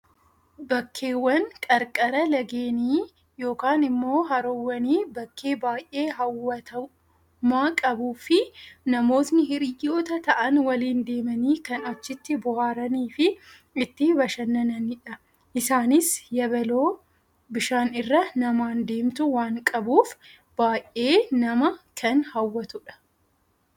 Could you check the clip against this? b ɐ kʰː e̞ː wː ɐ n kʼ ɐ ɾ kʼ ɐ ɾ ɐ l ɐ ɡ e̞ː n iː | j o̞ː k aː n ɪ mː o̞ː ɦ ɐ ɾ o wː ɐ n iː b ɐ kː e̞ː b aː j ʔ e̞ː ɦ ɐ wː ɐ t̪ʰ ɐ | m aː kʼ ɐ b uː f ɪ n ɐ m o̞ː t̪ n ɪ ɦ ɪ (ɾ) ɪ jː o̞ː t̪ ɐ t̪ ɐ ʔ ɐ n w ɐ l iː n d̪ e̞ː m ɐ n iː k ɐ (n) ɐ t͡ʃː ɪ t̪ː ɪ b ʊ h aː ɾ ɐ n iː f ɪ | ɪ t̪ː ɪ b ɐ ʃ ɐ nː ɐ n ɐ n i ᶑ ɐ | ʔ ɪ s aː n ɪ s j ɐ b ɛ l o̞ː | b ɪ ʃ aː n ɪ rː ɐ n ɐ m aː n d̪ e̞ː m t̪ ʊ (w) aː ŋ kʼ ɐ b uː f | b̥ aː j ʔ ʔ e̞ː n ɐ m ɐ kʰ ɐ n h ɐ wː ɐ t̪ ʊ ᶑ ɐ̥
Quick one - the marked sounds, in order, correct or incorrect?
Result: correct, correct, correct

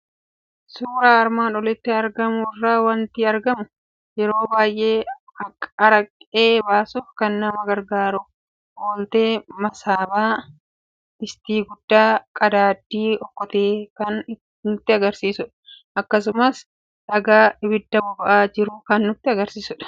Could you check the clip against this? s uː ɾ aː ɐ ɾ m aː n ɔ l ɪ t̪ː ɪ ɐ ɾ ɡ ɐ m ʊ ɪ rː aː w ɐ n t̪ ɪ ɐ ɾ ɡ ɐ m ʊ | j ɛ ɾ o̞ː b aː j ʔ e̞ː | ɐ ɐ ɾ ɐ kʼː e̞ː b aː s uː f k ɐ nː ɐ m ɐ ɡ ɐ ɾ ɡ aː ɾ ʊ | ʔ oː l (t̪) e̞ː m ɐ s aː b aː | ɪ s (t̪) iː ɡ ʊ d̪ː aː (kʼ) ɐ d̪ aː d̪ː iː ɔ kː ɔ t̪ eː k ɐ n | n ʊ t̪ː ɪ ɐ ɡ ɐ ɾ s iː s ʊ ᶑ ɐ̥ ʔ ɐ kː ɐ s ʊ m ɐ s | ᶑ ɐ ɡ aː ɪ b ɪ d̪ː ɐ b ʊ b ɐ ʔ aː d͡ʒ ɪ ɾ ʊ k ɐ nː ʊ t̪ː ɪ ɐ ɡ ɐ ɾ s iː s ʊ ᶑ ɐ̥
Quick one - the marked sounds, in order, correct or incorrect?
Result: correct, correct, correct

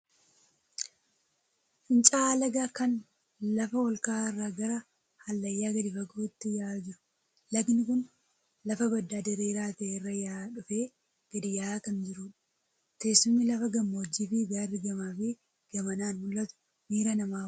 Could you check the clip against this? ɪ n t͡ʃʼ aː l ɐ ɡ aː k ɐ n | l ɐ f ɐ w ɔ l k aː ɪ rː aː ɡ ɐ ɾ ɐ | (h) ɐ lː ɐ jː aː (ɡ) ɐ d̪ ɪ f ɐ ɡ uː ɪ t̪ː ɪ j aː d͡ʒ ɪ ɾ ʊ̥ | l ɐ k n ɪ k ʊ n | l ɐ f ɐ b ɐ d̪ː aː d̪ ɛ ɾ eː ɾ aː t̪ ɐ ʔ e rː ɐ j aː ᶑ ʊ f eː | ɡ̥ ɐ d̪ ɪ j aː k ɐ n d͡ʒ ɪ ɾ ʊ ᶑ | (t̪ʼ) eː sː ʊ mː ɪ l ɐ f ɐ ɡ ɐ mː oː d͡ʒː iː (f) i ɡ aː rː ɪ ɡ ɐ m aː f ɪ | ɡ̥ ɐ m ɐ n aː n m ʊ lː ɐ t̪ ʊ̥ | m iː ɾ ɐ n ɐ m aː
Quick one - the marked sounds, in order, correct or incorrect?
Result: correct, correct, incorrect, correct

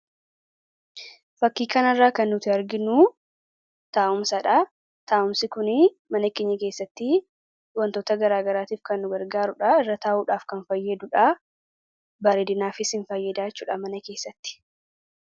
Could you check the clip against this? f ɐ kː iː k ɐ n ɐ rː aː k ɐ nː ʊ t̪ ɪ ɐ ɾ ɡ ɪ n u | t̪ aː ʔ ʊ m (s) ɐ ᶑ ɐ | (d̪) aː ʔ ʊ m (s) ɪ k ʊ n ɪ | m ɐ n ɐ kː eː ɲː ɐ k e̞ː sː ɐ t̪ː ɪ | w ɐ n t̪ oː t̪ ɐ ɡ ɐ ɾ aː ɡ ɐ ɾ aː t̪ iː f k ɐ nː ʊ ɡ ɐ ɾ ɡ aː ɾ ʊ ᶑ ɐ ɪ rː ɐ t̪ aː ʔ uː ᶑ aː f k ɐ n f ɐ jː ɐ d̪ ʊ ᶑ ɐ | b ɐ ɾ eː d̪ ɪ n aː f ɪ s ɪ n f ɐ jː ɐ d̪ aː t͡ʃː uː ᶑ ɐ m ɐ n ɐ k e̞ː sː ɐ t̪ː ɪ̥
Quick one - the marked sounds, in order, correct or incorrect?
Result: correct, incorrect, correct

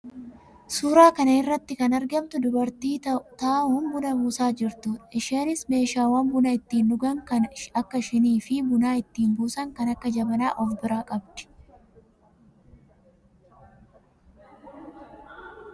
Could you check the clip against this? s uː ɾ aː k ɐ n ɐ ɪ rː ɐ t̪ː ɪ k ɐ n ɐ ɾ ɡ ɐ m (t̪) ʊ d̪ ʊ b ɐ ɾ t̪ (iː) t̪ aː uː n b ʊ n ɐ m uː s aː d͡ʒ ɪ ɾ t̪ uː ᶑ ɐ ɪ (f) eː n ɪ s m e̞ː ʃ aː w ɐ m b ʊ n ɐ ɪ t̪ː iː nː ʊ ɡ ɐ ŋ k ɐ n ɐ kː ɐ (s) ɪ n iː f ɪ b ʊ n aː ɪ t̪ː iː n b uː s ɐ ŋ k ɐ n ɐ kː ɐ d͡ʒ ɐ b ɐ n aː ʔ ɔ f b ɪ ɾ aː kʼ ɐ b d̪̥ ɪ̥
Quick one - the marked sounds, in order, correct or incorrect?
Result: correct, correct, incorrect, incorrect

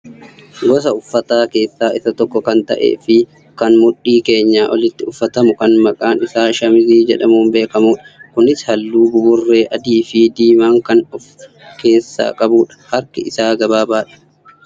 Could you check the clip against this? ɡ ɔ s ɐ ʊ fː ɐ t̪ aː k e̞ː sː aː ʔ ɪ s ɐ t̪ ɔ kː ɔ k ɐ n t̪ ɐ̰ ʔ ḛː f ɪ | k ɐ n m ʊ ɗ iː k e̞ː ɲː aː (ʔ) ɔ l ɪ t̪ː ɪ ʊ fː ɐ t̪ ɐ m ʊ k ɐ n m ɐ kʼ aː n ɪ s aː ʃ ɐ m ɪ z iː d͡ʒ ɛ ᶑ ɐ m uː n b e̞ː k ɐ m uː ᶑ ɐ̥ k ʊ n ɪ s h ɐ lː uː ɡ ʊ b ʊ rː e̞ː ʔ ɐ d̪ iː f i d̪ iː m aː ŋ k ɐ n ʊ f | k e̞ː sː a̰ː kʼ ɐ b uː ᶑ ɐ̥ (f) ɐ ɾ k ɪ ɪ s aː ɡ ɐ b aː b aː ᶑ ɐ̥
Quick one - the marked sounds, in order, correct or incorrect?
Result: correct, incorrect

